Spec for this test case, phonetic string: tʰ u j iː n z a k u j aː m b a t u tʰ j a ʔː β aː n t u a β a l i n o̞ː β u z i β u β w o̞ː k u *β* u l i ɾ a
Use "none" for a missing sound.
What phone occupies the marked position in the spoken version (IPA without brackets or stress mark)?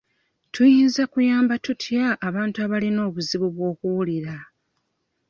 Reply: w